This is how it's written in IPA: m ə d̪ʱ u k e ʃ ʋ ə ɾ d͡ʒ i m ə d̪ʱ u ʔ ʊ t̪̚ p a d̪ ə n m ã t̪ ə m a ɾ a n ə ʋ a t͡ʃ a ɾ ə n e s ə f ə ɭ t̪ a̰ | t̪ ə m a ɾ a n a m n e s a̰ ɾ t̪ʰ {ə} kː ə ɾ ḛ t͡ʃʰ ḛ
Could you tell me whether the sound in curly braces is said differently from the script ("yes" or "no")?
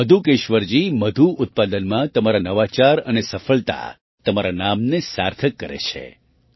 no